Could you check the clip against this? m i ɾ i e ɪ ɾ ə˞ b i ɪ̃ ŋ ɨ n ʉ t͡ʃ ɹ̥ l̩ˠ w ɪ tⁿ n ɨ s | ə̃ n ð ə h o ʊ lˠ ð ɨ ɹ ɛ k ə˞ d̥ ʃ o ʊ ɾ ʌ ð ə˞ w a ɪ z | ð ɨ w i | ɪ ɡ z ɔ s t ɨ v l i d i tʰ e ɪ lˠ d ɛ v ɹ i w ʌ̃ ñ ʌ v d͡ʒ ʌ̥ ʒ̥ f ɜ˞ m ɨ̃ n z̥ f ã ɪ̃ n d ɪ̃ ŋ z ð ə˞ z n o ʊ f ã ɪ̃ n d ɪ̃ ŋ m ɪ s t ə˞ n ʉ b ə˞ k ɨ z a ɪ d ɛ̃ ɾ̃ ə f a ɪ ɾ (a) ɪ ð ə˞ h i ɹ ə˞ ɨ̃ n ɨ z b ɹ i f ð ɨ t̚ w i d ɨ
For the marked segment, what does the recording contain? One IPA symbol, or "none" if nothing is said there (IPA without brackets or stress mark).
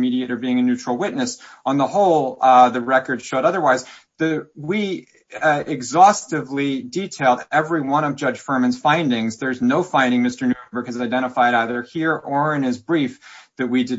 a